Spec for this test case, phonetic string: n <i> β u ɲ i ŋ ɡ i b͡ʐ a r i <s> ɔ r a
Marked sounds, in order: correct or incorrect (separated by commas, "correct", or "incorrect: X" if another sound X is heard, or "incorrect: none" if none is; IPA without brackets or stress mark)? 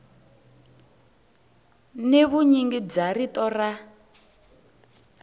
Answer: incorrect: e, incorrect: t